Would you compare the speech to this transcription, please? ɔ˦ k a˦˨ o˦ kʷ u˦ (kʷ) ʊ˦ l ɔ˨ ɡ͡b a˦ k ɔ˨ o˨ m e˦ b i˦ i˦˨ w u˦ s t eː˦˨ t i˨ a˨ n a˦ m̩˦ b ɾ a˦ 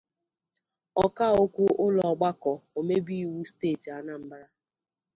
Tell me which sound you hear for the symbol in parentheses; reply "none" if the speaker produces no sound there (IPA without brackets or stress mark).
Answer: none